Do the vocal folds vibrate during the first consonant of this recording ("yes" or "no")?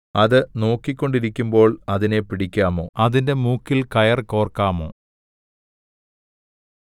yes